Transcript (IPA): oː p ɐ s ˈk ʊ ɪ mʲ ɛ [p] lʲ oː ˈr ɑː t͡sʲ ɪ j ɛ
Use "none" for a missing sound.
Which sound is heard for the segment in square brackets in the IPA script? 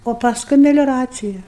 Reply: none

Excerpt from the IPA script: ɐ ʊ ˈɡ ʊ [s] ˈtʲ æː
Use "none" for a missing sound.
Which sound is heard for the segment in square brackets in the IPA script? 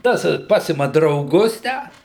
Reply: s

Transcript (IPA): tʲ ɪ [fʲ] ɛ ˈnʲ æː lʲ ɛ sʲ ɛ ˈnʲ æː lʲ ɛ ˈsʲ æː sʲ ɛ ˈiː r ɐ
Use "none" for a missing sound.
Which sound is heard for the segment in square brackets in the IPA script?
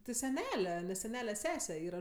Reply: sʲ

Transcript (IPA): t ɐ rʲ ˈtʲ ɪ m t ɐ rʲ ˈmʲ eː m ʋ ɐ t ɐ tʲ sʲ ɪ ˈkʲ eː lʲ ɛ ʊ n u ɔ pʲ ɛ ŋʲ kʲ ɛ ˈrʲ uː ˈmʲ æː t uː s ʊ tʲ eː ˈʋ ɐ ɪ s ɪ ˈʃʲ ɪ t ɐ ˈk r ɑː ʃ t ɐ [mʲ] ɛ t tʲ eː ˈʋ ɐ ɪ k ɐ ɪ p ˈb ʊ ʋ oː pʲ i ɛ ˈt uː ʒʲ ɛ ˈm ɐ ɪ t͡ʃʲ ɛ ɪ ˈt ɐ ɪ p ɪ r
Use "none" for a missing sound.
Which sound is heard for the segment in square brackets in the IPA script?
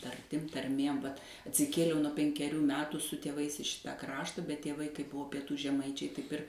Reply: bʲ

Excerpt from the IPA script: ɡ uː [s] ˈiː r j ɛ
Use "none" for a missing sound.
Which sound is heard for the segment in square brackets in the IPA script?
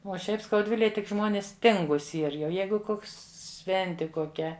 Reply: s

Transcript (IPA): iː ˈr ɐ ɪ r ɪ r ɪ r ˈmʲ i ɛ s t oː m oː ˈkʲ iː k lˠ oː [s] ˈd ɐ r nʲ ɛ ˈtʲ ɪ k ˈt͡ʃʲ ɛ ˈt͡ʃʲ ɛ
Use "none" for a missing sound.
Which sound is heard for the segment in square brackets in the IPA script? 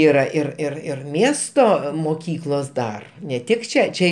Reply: s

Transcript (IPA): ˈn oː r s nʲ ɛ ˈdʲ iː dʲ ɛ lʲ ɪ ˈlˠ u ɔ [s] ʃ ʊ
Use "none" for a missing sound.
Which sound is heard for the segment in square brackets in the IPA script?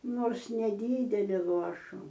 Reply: none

